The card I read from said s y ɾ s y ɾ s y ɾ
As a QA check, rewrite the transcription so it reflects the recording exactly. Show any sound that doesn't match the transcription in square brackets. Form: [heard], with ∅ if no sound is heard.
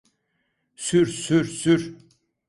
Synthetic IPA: s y ɾ s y ɾ s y ɾ